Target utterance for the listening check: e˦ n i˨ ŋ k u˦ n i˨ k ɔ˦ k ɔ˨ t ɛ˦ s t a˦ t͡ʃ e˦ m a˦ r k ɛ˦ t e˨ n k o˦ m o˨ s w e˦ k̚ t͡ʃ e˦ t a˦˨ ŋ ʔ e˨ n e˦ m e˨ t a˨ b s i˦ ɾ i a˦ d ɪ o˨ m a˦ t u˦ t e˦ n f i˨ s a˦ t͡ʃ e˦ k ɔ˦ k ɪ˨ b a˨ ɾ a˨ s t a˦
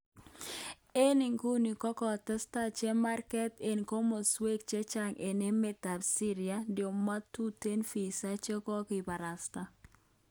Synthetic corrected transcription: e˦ n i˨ ŋ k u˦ n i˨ k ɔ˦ k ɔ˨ t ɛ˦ s t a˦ t͡ʃ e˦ m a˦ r k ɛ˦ t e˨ n k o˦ m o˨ s w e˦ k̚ t͡ʃ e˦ t͡ʃ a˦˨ ŋ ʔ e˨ n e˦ m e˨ t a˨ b s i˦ ɾ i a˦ d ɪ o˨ m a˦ t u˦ t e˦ n f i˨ s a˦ t͡ʃ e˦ k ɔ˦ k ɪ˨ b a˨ ɾ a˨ s t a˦